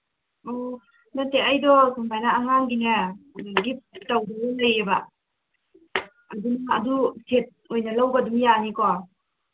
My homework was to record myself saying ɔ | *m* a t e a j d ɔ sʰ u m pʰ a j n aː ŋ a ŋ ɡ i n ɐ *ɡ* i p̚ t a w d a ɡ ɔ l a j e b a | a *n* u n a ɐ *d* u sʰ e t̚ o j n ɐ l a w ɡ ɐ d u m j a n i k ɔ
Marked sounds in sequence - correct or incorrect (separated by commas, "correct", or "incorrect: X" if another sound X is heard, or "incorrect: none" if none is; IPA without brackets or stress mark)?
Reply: incorrect: n, correct, incorrect: d, correct